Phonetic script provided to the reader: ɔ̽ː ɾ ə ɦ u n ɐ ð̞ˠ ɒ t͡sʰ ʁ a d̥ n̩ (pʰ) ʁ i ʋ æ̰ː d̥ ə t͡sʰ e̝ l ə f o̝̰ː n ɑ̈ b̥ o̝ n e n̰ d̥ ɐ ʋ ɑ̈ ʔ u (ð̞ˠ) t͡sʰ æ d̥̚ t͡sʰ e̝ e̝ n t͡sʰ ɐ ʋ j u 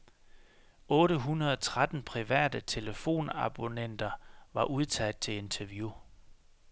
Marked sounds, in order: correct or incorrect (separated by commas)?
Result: correct, correct